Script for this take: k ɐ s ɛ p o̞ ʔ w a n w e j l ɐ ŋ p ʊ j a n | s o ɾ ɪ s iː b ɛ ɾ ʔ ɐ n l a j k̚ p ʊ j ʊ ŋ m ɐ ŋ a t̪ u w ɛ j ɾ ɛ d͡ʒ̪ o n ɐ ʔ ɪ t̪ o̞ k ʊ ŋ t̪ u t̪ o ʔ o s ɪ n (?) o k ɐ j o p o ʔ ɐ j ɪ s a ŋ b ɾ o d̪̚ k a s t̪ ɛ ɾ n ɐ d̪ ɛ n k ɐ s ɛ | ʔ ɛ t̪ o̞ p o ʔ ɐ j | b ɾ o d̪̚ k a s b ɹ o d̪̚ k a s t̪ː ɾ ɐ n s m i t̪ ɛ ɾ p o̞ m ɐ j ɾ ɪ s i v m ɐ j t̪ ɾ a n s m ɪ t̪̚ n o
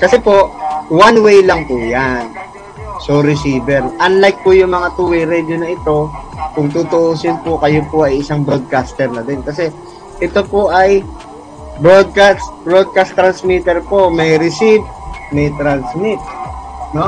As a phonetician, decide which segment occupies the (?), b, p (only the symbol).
p